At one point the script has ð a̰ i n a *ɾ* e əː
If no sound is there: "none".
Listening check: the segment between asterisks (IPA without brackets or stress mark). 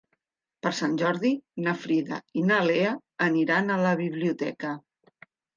l